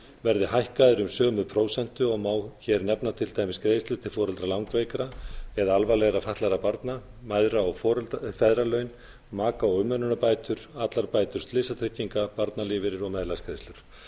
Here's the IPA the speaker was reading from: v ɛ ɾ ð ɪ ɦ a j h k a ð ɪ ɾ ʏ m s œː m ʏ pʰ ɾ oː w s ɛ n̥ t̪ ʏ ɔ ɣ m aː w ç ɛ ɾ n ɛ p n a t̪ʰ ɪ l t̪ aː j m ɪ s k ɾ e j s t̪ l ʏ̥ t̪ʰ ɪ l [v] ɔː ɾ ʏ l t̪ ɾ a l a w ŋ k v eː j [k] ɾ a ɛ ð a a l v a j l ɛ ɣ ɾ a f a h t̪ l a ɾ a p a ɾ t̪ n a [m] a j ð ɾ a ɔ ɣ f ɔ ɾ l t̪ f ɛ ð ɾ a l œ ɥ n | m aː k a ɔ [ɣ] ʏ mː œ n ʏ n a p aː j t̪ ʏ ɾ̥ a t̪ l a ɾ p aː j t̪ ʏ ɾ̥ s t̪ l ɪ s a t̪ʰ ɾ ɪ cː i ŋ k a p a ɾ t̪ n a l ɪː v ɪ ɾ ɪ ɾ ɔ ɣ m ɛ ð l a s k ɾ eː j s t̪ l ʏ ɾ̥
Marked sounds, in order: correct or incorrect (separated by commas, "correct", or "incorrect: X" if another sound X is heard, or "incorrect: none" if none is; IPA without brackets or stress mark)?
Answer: incorrect: f, correct, correct, correct